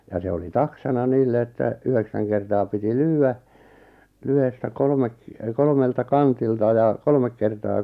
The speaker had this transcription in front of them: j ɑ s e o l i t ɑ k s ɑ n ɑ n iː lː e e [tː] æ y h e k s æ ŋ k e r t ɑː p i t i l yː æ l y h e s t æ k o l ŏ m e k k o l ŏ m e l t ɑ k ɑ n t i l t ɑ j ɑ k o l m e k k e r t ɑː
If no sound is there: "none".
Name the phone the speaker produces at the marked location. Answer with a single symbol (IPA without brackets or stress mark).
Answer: tː